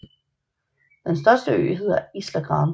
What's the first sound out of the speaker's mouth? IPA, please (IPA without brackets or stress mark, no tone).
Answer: d̥